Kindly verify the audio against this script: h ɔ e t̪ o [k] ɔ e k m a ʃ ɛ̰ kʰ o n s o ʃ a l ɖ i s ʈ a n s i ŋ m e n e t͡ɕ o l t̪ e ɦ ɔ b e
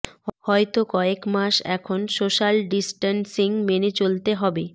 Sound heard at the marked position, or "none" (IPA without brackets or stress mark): k